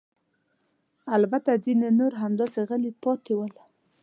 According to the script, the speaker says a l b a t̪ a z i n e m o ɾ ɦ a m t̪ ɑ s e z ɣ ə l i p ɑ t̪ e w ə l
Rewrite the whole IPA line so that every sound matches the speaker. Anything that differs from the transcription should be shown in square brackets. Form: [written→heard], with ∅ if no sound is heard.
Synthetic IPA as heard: a l b a t̪ a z i n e [m→n] o ɾ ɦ a m [t̪→d̪] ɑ s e [z→∅] ɣ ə l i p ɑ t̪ e w ə l